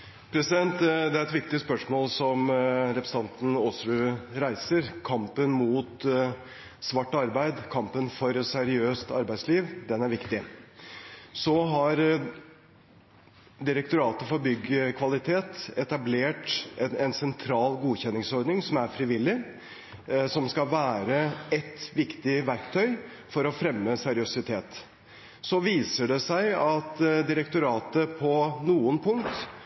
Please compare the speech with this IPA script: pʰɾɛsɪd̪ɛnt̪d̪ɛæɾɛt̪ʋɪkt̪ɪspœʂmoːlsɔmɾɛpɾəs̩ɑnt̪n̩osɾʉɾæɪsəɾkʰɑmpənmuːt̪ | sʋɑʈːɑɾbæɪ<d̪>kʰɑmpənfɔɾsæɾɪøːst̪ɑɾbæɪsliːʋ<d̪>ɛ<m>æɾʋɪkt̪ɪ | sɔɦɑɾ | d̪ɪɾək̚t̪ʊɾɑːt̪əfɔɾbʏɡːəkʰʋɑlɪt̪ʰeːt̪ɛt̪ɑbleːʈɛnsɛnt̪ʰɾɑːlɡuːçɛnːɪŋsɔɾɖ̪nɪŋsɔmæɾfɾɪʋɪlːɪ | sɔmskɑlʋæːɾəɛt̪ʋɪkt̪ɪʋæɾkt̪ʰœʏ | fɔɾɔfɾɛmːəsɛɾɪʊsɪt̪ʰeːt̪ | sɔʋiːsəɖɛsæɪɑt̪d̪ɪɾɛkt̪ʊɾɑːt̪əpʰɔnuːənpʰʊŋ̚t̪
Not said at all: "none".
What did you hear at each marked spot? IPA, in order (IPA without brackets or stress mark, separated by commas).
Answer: d̪, d̪, n